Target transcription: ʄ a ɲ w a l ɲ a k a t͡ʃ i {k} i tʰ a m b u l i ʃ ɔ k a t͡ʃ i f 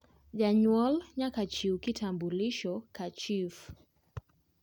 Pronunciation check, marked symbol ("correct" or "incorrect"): correct